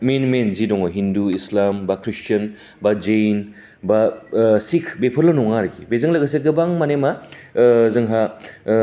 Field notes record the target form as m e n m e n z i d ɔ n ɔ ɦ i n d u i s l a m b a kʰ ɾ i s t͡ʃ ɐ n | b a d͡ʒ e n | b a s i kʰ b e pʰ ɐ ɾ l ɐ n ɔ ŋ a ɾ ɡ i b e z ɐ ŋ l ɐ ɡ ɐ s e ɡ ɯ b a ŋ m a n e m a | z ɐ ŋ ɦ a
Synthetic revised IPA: m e n m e n z i d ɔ ŋ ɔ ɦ i n d u i s l a m b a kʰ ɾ i s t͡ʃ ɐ n | b a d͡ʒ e n | b a s i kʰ b e pʰ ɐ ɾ l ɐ n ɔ ŋ a ɾ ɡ i b e z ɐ ŋ l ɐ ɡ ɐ s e ɡ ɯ b a ŋ m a n e m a | z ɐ ŋ ɦ a

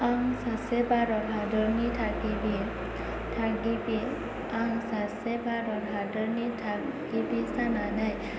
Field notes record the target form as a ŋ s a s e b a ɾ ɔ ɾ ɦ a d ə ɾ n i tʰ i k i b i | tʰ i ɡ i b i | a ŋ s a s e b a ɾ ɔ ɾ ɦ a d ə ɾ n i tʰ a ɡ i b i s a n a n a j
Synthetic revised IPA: a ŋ s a s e b a ɾ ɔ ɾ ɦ a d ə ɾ n i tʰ a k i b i | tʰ a ɡ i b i | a ŋ s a s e b a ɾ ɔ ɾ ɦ a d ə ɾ n i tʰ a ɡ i b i s a n a n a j

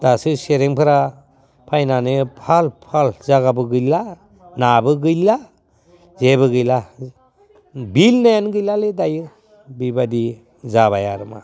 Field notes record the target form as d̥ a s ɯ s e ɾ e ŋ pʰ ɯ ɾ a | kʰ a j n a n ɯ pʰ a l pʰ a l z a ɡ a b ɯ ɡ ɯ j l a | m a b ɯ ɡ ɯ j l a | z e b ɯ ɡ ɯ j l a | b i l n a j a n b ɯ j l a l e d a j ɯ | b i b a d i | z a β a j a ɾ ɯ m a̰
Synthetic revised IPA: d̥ a s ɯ s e ɾ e ŋ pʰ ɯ ɾ a | pʰ a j n a n ɯ pʰ a l pʰ a l z a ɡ a b ɯ ɡ ɯ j l a | n a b ɯ ɡ ɯ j l a | z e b ɯ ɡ ɯ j l a | b i l n a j a n ɡ ɯ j l a l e d a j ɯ | b i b a d i | z a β a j a ɾ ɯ m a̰

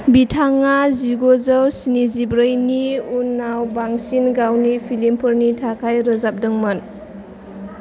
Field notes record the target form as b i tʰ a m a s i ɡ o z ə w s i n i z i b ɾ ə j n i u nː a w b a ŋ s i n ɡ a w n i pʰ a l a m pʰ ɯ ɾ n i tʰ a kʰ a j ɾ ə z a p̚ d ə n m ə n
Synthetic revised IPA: b i tʰ a ŋ a z i ɡ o z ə w s i n i z i b ɾ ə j n i u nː a w b a ŋ s i n ɡ a w n i pʰ i l i m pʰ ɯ ɾ n i tʰ a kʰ a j ɾ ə z a p̚ d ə ŋ m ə n

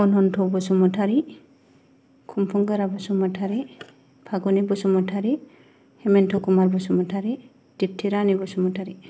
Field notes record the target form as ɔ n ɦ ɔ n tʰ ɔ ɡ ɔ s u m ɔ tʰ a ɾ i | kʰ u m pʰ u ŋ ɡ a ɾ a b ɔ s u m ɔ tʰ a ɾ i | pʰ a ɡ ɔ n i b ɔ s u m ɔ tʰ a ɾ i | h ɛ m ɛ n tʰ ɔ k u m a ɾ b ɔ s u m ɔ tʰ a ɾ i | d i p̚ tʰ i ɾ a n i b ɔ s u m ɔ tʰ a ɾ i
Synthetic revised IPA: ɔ n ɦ ɔ n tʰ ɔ b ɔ s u m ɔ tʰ a ɾ i | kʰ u m pʰ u ŋ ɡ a ɾ a b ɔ s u m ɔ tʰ a ɾ i | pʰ a ɡ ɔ n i b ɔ s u m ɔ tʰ a ɾ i | h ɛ m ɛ n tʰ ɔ k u m a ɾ b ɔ s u m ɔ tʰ a ɾ i | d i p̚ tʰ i ɾ a n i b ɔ s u m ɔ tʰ a ɾ i

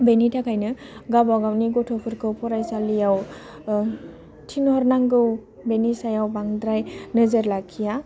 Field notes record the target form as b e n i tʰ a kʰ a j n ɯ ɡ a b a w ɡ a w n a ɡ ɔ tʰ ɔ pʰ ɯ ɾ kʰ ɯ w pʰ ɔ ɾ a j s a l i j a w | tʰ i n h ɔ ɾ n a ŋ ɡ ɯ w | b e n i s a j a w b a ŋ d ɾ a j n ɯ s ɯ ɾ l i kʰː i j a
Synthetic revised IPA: b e n i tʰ a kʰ a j n ɯ ɡ a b a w ɡ a w n i ɡ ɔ tʰ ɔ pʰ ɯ ɾ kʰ ɯ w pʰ ɔ ɾ a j s a l i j a w | tʰ i n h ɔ ɾ n a ŋ ɡ ɯ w | b e n i s a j a w b a ŋ d ɾ a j n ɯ z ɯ ɾ l a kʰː i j a

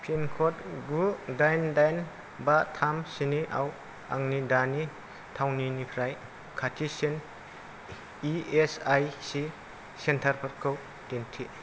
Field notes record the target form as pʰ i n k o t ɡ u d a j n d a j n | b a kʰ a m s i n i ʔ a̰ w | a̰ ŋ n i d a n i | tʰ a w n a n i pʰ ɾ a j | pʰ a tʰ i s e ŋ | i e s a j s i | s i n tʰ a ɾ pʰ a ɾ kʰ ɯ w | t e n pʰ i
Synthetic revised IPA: pʰ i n kʰ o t ɡ u d a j n d a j n | b a tʰ a m s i n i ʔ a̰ w | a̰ ŋ n i d a n i | tʰ a w n i n i pʰ ɾ a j | kʰ a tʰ i s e n | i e s a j s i | s e n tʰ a ɾ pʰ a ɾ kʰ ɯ w | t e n tʰ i

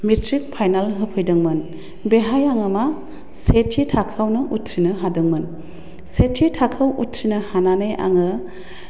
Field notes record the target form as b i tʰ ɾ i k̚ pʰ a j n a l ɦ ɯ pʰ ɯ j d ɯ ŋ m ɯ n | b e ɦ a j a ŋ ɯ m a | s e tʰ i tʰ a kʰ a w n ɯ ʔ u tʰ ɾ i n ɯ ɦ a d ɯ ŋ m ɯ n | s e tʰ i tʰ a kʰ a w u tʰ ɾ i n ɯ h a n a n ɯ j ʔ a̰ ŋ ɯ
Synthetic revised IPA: m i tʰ ɾ i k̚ pʰ a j n a l ɦ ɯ pʰ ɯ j d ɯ ŋ m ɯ n | b e ɦ a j a ŋ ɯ m a | s e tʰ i tʰ a kʰ a w n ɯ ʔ u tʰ ɾ i n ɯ ɦ a d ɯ ŋ m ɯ n | s e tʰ i tʰ a kʰ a w u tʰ ɾ i n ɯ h a n a n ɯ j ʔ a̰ ŋ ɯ

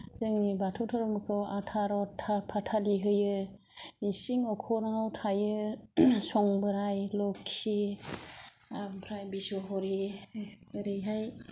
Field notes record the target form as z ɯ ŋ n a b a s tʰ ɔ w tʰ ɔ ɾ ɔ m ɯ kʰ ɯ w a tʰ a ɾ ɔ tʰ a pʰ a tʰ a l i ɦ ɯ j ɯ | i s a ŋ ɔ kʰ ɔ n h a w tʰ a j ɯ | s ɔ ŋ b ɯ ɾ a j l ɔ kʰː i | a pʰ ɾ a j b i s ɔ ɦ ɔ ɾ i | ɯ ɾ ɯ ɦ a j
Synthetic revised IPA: z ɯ ŋ n i b a tʰ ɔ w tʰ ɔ ɾ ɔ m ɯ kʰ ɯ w a tʰ a ɾ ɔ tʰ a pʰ a tʰ a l i ɦ ɯ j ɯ | i s i ŋ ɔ kʰ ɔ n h a w tʰ a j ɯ | s ɔ ŋ b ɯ ɾ a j l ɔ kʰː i | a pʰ ɾ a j b i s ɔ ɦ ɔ ɾ i | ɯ ɾ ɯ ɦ a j

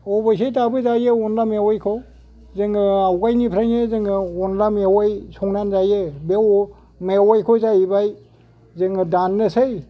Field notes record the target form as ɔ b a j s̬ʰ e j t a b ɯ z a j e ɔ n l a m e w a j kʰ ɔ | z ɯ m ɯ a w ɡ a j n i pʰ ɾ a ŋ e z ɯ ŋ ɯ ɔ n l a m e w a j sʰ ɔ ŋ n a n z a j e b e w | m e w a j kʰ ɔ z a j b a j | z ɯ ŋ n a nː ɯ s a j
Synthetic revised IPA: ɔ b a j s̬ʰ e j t a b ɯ z a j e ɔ n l a m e w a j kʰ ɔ | z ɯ ŋ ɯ a w ɡ a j n i pʰ ɾ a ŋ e z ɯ ŋ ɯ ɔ n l a m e w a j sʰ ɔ ŋ n a n z a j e b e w | m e w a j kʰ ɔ z a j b a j | z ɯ ŋ d a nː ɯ s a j

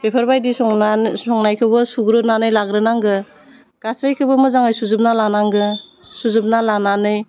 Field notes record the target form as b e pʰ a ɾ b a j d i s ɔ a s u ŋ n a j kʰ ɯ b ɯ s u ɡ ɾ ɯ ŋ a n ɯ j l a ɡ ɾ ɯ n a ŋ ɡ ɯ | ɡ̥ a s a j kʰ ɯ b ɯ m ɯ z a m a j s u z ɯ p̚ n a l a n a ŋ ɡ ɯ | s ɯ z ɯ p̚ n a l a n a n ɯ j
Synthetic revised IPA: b e pʰ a ɾ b a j d i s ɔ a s ɔ ŋ n a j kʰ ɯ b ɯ s u ɡ ɾ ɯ n a n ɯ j l a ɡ ɾ ɯ n a ŋ ɡ ɯ | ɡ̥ a s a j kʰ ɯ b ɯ m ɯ z a ŋ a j s u z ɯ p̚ n a l a n a ŋ ɡ ɯ | s u z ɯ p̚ n a l a n a n ɯ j

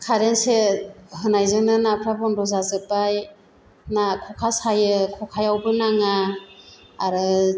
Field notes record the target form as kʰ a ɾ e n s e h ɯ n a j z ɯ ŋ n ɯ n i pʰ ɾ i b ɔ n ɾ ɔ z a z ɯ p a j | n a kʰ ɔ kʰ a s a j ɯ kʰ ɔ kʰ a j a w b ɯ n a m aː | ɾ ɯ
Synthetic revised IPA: kʰ a ɾ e n s e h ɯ n a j z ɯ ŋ n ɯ n a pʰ ɾ a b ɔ n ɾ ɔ z a z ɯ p a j | n a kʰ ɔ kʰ a s a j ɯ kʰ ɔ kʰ a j a w b ɯ n a ŋ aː | ɾ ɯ

